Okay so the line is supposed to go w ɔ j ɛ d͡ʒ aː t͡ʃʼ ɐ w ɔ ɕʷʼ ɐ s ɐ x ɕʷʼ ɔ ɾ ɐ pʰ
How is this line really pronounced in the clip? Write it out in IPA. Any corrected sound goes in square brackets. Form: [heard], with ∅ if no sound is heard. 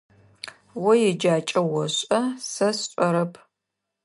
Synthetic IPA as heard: w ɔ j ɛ d͡ʒ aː t͡ʃʼ ɐ w ɔ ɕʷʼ ɐ s ɐ [s] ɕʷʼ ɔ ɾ ɐ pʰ